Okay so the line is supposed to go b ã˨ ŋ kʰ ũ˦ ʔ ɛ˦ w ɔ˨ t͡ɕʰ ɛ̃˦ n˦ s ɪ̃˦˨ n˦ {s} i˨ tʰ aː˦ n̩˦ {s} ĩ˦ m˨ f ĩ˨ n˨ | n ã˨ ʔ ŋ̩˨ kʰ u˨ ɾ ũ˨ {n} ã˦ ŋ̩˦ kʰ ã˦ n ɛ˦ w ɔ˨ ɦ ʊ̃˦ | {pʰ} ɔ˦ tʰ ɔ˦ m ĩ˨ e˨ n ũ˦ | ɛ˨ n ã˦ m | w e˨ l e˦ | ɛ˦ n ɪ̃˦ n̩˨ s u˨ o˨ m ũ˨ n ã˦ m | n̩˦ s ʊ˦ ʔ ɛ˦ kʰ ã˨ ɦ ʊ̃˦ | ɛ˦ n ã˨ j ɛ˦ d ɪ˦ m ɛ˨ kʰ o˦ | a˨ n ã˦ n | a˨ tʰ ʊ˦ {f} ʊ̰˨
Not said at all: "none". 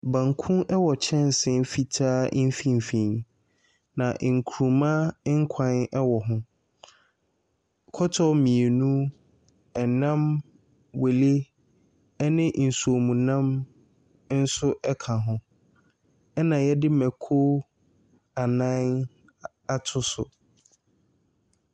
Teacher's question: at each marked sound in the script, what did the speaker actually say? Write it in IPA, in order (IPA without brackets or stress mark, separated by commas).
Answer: f, f, m, kʰ, s